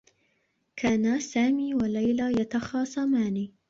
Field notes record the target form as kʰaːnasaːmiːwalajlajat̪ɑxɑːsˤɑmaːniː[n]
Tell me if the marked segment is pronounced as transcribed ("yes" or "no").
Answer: no